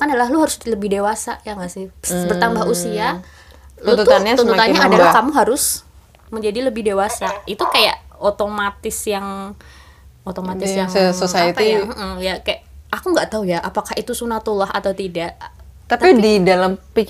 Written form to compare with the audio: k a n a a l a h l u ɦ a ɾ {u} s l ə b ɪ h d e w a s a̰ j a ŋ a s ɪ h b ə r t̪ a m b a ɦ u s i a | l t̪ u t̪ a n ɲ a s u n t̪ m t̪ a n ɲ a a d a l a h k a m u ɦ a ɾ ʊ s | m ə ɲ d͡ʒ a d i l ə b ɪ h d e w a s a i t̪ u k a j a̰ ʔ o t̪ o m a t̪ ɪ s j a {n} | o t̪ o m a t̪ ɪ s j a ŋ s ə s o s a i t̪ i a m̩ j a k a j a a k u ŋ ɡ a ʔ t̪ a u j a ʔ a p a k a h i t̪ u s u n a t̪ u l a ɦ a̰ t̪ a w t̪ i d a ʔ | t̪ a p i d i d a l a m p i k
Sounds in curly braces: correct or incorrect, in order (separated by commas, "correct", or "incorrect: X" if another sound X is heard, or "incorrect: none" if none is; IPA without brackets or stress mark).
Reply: incorrect: ʊ, incorrect: ŋ